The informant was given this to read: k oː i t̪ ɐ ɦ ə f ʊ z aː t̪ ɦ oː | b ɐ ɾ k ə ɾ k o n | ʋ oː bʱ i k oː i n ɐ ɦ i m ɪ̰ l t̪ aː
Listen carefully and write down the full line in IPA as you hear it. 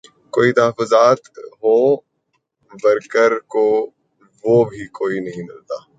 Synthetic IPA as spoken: k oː i t̪ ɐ ɦ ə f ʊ z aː t̪ ɦ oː | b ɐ ɾ k ə ɾ k o | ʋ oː bʱ i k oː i n ɐ ɦ ĩ m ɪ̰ l t̪ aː